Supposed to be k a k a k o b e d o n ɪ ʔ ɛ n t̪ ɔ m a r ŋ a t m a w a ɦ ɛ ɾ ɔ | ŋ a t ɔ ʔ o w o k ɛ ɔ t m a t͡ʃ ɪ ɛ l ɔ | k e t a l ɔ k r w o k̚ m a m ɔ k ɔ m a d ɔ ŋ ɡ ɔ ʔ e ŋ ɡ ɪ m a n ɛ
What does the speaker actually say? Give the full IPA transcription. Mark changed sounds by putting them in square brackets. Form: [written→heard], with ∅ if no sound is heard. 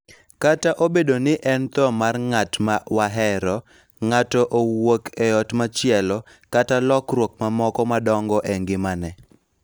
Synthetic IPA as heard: k a [k→t] a [k→ʔ] o b e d o n ɪ ʔ ɛ n t̪ ɔ m a r ŋ a t m a w a ɦ ɛ ɾ ɔ | ŋ a t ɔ ʔ o w o k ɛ ɔ t m a t͡ʃ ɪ ɛ l ɔ | k [e→a] t a l ɔ k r w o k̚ m a m ɔ k ɔ m a d ɔ ŋ ɡ ɔ ʔ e ŋ ɡ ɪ m a n ɛ